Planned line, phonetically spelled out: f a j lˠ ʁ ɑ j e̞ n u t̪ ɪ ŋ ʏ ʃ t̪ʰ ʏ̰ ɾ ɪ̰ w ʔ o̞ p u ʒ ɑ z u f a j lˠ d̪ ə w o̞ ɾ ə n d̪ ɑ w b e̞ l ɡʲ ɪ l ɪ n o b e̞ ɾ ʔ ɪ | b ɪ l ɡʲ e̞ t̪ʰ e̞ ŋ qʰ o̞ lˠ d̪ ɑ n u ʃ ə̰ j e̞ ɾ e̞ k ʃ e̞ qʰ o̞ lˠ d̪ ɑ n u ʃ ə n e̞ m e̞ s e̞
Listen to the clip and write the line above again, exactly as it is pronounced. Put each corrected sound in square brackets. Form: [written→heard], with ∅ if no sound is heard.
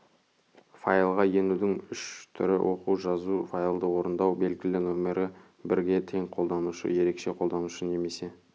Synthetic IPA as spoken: f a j lˠ ʁ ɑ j e̞ n u [t̪→d̪] ɪ ŋ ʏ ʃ t̪ʰ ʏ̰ ɾ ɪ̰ w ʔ o̞ [p→q] u ʒ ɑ z u f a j lˠ d̪ ə w o̞ ɾ ə n d̪ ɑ w b e̞ l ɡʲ ɪ l ɪ n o [b→m] e̞ ɾ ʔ ɪ | b ɪ [l→ɾ] ɡʲ e̞ t̪ʰ e̞ ŋ qʰ o̞ lˠ d̪ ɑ n u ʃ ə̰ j e̞ ɾ e̞ k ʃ e̞ qʰ o̞ lˠ d̪ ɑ n u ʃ ə n e̞ m e̞ s e̞